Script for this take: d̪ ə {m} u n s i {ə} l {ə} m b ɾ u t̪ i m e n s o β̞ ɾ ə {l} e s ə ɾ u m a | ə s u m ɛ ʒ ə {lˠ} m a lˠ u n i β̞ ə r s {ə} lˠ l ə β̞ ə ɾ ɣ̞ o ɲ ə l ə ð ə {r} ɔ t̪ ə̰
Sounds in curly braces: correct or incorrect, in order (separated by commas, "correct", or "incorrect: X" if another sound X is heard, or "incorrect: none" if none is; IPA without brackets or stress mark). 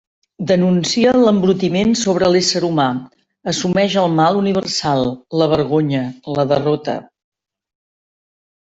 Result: incorrect: n, correct, correct, correct, correct, incorrect: a, correct